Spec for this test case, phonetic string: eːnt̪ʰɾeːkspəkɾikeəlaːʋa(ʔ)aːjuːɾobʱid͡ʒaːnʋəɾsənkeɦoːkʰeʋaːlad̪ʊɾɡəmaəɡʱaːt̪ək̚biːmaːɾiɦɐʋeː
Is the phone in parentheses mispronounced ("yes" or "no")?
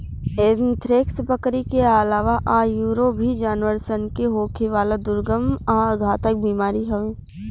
no